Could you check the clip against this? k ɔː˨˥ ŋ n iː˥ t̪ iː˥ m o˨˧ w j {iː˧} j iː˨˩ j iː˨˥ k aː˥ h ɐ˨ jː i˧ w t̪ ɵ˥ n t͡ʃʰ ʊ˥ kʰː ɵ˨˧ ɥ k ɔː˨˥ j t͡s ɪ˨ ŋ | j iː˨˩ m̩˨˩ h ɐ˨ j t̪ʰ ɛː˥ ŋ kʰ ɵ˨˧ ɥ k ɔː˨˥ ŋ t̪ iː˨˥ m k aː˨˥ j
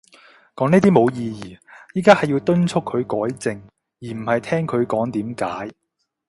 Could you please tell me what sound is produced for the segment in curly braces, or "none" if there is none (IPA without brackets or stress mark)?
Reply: iː˧